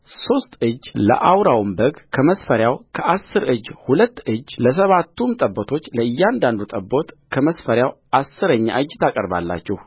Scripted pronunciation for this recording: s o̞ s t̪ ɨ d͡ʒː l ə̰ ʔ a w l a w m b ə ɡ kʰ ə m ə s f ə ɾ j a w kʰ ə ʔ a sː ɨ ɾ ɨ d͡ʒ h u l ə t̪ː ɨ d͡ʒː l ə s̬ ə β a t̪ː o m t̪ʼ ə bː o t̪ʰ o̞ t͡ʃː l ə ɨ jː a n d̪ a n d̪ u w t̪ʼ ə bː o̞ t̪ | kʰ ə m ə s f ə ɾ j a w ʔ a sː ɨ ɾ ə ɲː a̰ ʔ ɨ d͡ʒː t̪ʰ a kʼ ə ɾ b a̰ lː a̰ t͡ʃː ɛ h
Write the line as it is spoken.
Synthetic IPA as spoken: s o̞ s t̪ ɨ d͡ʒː l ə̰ ʔ a w ɾ a w m b ə ɡ kʰ ə m ə s f ə ɾ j a w kʰ ə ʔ a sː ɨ ɾ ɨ d͡ʒ h u l ə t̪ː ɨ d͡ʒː l ə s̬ ə β a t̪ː u m t̪ʼ ə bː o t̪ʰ o̞ t͡ʃː l ə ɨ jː a n d̪ a n d̪ u t̪ʼ ə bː o̞ t̪ | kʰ ə m ə s f ə ɾ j a w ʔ a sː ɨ ɾ ə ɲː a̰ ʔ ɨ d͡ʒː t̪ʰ a kʼ ə ɾ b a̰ lː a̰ t͡ʃː ɛ h